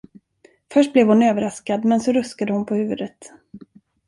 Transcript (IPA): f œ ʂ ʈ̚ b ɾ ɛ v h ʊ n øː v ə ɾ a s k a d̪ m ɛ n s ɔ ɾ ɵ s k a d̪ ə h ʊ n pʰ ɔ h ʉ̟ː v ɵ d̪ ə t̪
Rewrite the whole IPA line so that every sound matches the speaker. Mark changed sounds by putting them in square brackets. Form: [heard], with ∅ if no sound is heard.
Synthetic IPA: f œ ʂ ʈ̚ b [l] ɛ v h ʊ n øː v ə ɾ a s k a d̪ m ɛ n s ɔ ɾ ɵ s k a d̪ ə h ʊ n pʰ ɔ h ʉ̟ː v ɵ d̪ ə t̪